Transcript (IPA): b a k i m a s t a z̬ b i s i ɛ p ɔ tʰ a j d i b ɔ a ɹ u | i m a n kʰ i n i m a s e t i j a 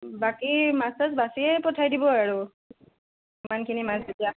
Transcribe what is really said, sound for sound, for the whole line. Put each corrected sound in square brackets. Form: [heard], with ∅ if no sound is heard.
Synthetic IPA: b a k i m a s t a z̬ b [a] s i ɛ p ɔ tʰ a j d i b ɔ a ɹ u | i m a n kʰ i n i m a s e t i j a